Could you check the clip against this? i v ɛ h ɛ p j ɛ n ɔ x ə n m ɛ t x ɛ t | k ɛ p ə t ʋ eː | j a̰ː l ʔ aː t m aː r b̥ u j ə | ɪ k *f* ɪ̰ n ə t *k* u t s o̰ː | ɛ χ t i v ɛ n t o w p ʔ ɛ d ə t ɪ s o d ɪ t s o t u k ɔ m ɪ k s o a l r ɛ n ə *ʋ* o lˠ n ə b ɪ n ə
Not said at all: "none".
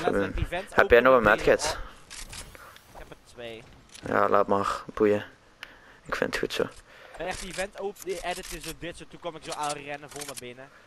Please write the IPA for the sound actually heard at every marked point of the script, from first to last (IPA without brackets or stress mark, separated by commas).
f, x, v